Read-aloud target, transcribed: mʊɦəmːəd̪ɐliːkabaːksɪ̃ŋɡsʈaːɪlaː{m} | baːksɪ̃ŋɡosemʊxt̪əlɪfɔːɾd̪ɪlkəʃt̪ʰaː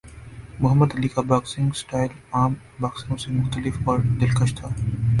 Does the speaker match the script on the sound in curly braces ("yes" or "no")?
yes